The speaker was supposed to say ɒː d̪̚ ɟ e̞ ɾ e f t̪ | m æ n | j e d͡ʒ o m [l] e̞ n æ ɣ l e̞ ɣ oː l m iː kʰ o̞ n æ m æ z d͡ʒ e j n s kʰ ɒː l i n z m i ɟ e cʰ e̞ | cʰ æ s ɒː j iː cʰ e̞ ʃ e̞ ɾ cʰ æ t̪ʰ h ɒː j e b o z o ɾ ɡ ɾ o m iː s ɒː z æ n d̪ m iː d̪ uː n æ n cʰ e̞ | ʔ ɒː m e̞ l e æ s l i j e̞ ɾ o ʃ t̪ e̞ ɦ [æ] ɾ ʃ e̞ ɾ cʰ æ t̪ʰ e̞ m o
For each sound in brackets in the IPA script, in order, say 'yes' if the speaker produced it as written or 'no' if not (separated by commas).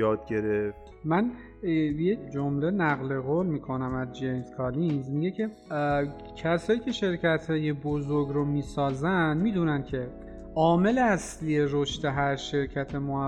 yes, yes